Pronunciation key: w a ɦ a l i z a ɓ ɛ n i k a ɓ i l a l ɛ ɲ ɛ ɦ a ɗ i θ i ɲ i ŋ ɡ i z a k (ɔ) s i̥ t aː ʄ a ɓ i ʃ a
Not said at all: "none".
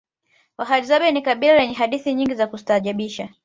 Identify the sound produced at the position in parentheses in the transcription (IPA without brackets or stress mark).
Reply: u